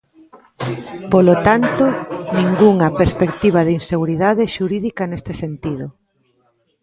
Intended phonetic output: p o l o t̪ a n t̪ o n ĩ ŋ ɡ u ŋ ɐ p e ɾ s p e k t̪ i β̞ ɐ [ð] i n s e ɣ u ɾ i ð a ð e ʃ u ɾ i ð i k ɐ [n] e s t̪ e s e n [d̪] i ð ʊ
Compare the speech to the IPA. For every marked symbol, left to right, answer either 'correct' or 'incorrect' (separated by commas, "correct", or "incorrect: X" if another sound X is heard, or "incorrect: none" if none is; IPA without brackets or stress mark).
correct, correct, incorrect: t̪